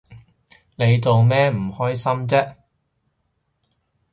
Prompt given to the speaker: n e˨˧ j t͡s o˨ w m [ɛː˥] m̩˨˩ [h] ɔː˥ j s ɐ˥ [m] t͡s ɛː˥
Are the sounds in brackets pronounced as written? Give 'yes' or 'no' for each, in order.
yes, yes, yes

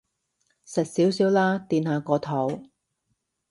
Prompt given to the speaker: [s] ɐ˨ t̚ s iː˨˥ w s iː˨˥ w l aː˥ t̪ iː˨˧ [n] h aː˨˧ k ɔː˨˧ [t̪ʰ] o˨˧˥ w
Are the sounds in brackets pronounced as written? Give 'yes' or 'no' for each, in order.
yes, yes, yes

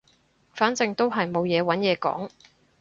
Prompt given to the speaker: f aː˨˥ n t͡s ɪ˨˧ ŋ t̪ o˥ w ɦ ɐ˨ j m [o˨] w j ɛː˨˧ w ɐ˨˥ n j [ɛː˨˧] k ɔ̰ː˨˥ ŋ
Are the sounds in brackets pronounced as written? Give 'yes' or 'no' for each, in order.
yes, yes

